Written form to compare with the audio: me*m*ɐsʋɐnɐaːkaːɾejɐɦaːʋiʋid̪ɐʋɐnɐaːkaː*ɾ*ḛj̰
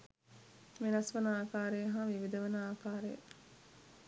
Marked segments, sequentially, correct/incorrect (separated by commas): incorrect, correct